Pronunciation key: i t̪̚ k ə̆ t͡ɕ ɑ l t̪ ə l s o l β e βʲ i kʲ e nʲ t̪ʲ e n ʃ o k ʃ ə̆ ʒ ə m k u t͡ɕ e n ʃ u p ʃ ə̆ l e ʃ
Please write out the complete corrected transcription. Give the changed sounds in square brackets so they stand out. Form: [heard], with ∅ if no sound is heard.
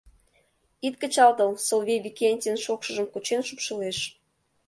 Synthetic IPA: i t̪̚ k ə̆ t͡ɕ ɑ l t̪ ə l s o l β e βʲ i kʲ e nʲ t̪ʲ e n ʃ o k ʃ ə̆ ʒ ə m k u t͡ɕ e n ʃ u p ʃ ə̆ l e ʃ